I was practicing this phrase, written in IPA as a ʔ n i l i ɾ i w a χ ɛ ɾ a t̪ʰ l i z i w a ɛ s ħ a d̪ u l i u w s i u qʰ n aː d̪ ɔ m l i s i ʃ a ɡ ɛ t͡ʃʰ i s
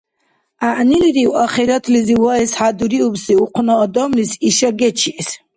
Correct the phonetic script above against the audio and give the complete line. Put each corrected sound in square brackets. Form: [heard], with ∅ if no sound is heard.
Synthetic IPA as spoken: a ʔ n i l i ɾ i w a χ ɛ ɾ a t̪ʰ l i z i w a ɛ s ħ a d̪ u [ɾ] i u [b] s i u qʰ n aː d̪ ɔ m l i s i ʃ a ɡ ɛ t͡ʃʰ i s